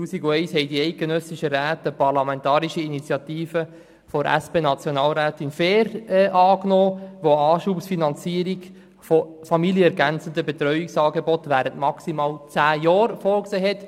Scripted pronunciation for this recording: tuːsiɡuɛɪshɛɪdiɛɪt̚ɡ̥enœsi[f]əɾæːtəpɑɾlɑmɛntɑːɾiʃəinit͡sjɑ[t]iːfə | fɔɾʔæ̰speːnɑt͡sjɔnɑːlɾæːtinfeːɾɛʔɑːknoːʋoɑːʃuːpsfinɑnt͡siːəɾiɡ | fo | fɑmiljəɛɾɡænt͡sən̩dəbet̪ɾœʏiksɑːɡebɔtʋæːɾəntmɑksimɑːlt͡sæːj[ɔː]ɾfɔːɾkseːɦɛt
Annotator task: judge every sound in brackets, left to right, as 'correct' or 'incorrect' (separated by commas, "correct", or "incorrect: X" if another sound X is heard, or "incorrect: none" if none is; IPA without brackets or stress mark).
incorrect: ʃ, correct, correct